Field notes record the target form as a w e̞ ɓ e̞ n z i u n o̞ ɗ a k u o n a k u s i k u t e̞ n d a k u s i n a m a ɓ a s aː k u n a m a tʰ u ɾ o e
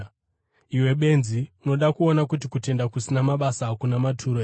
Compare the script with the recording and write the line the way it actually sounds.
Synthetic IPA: i w e̞ ɓ e̞ n z i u n o̞ ɗ a k u o n a k u t i k u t e̞ n d a k u s i n a m a ɓ a s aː k u n a m a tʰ u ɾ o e